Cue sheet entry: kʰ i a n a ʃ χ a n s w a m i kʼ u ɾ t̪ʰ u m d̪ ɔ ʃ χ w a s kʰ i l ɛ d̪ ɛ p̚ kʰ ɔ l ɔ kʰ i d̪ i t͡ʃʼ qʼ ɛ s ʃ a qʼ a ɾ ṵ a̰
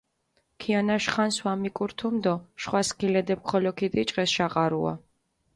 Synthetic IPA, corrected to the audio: kʰ i a n a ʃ χ a n s w a m i kʼ u ɾ t̪ʰ u m d̪ ɔ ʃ χ w a s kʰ i l ɛ d̪ ɛ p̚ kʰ ɔ l ɔ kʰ i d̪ i t͡ʃʼ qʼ ɛ s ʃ a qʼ a ɾ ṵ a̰